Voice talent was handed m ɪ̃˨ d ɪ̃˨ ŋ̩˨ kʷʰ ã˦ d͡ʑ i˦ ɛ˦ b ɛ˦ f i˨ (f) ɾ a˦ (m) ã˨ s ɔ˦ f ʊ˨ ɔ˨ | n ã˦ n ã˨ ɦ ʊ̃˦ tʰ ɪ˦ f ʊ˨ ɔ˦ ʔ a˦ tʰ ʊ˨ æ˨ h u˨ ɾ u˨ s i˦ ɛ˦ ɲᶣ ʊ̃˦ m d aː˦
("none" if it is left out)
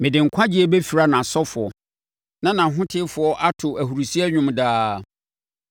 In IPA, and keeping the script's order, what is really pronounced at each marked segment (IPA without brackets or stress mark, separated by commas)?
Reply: none, n